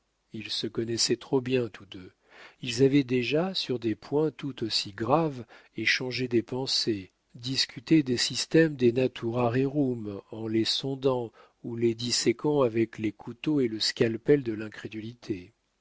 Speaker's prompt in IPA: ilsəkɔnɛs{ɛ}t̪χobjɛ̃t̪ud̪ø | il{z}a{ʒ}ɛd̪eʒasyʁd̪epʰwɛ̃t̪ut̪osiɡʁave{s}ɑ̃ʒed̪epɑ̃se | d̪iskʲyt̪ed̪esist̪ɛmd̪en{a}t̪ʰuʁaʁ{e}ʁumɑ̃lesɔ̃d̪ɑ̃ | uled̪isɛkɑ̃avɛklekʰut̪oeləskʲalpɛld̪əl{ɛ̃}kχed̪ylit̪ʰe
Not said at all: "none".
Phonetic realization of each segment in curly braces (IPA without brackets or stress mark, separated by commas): ɛ, z, v, ʃ, a, e, ɛ̃